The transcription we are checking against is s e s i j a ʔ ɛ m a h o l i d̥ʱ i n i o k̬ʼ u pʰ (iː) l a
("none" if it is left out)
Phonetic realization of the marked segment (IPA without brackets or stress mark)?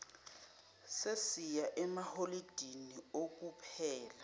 ɛː